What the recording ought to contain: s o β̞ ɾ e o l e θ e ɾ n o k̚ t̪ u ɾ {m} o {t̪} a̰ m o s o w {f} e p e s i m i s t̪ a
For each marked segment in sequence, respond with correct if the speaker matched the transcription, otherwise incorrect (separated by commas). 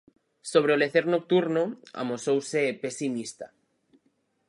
incorrect, incorrect, incorrect